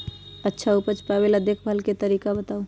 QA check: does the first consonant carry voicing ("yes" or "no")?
no